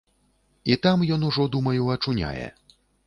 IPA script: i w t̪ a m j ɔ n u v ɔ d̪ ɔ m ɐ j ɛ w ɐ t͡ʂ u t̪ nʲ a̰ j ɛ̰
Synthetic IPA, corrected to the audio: i t̪ a m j ɔ n u ʐ ɔ d̪ u m ɐ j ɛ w ɐ t͡ʂ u nʲ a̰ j ɛ̰